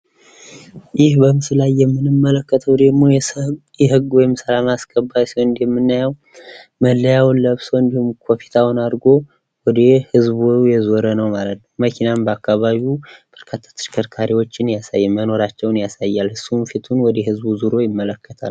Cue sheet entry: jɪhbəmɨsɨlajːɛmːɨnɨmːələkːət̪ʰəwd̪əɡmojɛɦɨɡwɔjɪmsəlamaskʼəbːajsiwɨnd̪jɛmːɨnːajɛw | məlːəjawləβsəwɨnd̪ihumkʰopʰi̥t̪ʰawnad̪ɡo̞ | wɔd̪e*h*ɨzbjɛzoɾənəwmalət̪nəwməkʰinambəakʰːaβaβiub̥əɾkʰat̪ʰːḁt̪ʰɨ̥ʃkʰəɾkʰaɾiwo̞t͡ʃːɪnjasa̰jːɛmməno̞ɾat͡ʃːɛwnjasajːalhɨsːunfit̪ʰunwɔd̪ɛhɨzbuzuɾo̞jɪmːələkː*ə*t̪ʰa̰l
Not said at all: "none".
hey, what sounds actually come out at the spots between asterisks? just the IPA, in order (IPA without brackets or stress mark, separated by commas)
h, ə